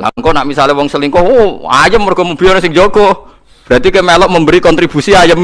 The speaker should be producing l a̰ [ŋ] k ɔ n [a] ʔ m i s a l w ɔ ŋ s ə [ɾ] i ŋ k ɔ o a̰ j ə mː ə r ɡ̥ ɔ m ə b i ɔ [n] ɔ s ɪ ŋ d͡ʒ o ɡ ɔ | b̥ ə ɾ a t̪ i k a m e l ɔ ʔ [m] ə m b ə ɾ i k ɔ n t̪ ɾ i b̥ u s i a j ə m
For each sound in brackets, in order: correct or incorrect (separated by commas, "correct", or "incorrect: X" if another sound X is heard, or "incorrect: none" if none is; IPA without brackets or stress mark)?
correct, correct, incorrect: l, correct, correct